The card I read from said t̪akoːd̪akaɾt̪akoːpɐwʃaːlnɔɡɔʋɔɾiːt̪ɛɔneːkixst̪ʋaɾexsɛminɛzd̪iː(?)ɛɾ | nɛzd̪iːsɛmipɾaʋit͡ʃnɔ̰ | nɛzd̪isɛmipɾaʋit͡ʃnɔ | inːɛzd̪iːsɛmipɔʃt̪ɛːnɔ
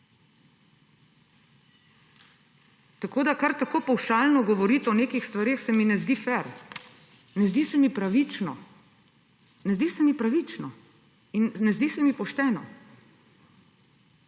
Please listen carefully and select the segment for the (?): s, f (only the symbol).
f